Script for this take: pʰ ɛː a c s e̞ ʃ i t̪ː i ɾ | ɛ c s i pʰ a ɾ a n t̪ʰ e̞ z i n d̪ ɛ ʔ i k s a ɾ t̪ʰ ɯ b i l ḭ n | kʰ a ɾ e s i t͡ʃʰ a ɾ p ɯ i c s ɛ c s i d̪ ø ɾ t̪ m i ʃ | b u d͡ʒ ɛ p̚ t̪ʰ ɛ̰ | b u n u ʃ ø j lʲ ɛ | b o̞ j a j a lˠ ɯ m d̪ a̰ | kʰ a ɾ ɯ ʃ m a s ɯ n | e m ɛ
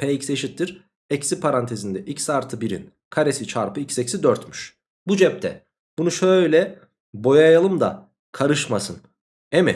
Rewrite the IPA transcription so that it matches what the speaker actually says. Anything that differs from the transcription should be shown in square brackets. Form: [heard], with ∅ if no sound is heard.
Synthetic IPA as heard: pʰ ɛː [i] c s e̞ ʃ i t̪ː i ɾ | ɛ c s i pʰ a ɾ a n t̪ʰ e̞ z i n d̪ ɛ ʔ i [c] s a ɾ t̪ʰ ɯ b i [ɾ] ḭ n | kʰ a ɾ e s i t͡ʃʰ a ɾ p ɯ i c s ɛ c s i d̪ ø ɾ t̪ m [y] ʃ | b u d͡ʒ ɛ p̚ t̪ʰ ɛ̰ | b u n u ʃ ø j lʲ ɛ | b o̞ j a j a lˠ ɯ m d̪ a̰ | kʰ a ɾ ɯ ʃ m a s ɯ n | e m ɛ